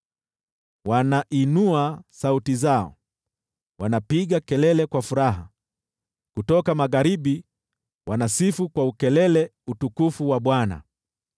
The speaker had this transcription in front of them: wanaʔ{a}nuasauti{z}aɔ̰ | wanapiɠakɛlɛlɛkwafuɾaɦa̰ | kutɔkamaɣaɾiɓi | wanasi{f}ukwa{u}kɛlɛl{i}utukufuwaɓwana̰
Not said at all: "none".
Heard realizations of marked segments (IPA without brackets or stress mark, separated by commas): i, z, f, u, ɛ